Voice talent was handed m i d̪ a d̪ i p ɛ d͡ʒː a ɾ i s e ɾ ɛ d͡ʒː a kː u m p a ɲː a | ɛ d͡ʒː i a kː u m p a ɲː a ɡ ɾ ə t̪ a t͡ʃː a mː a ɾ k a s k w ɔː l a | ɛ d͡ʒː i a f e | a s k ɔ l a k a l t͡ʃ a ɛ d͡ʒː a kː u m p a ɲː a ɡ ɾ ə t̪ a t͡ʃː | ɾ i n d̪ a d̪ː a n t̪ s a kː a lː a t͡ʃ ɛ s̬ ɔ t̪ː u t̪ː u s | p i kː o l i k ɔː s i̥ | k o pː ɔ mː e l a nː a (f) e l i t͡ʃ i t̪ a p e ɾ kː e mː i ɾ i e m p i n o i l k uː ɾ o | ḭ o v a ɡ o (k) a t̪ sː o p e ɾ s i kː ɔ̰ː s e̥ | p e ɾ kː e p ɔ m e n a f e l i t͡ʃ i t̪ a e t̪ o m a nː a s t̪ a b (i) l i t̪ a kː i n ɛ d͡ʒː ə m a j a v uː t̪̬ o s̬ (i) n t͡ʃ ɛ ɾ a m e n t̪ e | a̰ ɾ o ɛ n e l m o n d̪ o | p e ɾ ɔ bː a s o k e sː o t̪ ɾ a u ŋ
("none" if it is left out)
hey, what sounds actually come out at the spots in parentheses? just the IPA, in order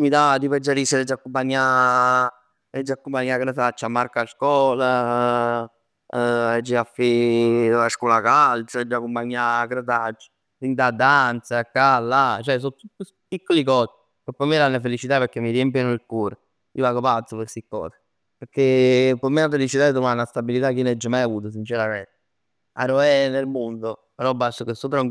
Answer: f, p, i, i

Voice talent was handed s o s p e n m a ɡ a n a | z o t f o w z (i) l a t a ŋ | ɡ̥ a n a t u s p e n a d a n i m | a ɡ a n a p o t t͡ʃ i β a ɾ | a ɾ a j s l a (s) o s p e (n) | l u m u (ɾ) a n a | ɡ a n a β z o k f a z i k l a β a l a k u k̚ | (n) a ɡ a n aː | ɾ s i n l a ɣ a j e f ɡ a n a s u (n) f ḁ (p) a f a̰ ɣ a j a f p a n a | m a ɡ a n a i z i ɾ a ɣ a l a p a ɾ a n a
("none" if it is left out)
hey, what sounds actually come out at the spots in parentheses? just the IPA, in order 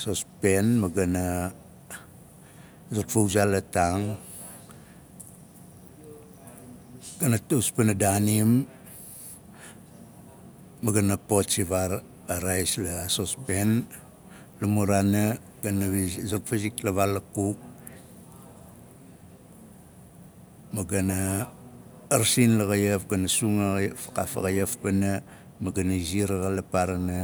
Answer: a, s, n, ɾ, m, ŋ, k

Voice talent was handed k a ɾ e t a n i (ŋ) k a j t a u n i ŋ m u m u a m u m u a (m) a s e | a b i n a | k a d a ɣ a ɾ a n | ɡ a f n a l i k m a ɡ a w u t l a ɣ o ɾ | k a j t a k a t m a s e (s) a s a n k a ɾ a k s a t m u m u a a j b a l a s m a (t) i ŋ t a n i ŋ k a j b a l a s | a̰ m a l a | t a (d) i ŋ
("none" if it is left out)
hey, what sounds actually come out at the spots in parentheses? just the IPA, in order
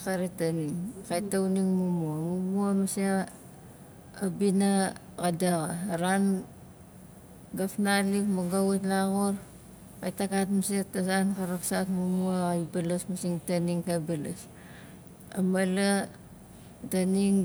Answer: ŋ, m, t, s, n

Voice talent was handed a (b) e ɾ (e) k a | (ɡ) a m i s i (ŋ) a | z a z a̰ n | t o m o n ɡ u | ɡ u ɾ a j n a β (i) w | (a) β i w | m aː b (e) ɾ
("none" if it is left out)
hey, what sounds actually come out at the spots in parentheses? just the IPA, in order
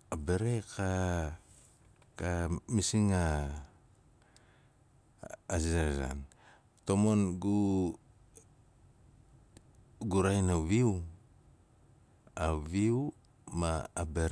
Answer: b, e, k, ŋ, i, a, e

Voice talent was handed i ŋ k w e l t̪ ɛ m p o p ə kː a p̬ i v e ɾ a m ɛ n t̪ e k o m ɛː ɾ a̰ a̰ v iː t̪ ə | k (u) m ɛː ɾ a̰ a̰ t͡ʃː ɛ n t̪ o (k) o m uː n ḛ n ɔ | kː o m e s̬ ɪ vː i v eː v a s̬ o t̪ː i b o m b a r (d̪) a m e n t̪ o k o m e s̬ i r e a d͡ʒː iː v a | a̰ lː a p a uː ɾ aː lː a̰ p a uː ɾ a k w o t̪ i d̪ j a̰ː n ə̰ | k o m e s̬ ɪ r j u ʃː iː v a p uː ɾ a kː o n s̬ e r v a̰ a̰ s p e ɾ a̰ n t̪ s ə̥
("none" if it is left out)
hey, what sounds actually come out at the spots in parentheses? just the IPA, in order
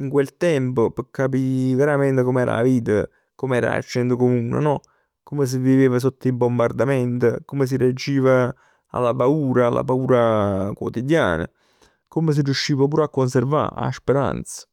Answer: o, k, d̪

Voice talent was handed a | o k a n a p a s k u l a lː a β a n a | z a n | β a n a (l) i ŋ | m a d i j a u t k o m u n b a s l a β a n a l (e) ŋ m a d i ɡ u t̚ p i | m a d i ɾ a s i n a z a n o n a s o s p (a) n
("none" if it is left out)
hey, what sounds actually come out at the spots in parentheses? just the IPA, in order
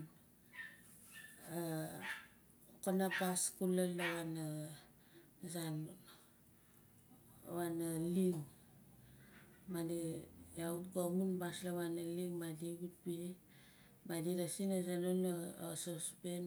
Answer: l, i, e

